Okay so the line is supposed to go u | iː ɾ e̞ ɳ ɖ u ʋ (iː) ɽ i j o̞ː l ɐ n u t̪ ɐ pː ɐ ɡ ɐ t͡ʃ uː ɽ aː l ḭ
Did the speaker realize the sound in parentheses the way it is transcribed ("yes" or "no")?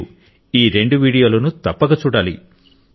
yes